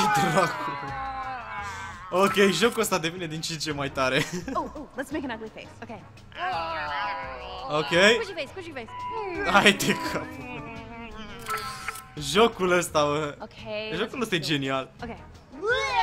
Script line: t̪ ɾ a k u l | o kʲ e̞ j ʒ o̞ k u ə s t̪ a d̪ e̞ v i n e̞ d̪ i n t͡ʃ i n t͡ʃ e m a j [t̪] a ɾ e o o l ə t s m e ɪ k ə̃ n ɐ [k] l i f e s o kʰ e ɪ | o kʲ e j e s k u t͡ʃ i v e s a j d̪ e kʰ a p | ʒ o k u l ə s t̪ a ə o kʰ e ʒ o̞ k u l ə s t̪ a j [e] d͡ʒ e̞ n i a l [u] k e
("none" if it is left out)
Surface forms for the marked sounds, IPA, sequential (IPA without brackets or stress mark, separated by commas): t̪, ɡ, e, o